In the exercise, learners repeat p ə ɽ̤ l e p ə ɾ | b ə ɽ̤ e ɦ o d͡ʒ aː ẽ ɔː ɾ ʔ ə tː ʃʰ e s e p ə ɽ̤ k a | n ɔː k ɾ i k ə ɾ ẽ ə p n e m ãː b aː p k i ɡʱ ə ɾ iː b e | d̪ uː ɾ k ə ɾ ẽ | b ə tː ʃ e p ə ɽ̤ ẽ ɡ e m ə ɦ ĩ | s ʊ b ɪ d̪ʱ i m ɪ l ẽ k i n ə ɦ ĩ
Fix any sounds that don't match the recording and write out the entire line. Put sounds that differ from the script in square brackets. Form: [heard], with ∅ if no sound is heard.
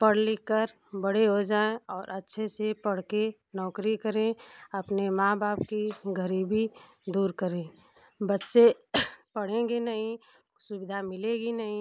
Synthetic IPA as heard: p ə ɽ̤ l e [k] ə ɾ | b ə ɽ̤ e ɦ o d͡ʒ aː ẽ ɔː ɾ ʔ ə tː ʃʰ e s e p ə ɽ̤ k [e] | n ɔː k ɾ i k ə ɾ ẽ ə p n e m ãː b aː p k i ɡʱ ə ɾ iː b [i] | d̪ uː ɾ k ə ɾ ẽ | b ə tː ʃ e p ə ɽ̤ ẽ ɡ e [n] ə ɦ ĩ | s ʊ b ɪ d̪ʱ [a] m ɪ l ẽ [ɡ] i n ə ɦ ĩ